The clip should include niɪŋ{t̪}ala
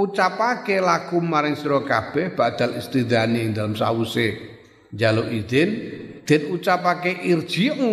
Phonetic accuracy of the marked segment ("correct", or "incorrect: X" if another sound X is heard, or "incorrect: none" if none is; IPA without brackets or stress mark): incorrect: d̪